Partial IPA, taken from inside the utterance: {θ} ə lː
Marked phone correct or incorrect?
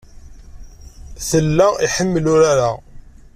correct